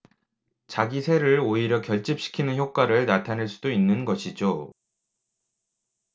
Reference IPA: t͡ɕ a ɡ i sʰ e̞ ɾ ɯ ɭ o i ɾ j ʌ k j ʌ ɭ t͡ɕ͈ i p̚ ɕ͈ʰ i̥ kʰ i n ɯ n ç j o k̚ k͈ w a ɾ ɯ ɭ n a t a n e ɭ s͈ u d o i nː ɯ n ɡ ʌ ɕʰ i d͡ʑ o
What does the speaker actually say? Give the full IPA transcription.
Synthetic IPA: t͡ɕ a ɡ i sʰ e̞ ɾ ɯ ɭ o i ɾ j ʌ k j ʌ ɭ t͡ɕ͈ i p̚ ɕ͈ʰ i̥ kʰ i n ɯ n ç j o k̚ k͈ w a ɾ ɯ ɭ n a tʰ a n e ɭ s͈ u d o i nː ɯ n ɡ ʌ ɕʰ i d͡ʑ o